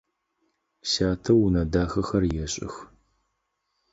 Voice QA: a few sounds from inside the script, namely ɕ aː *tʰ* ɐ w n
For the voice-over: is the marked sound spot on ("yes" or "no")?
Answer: yes